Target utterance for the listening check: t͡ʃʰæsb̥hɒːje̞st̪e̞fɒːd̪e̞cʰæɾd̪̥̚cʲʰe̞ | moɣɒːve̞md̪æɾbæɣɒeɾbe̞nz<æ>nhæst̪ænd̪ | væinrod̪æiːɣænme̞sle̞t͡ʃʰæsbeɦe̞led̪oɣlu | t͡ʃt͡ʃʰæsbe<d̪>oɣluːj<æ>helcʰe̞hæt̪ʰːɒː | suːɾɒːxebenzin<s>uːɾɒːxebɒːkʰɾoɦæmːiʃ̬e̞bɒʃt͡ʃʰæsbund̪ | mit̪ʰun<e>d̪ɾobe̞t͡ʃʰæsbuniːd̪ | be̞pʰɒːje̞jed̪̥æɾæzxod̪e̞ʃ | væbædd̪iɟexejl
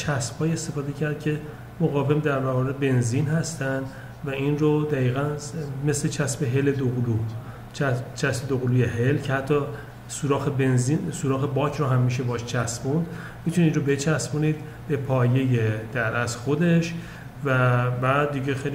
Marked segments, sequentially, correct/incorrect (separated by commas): incorrect, correct, incorrect, correct, incorrect